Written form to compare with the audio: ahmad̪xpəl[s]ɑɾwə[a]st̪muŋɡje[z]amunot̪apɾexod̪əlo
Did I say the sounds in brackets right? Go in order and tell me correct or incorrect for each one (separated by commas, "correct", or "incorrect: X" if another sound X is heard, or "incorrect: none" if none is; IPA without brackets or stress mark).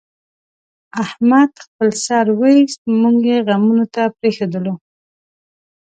correct, incorrect: i, incorrect: ɣ